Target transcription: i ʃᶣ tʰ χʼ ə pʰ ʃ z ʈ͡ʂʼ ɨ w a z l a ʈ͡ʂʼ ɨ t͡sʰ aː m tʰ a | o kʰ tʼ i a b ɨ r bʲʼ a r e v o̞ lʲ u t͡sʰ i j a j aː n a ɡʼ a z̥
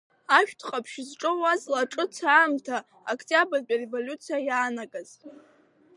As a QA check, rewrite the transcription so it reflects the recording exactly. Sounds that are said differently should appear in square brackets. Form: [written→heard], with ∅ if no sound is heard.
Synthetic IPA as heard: [i→a] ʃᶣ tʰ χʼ [ə→a] pʰ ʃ z ʈ͡ʂʼ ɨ w a z l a ʈ͡ʂʼ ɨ t͡sʰ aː m tʰ a | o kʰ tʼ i a b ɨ r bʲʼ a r e v o̞ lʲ u t͡sʰ i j a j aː n a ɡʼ a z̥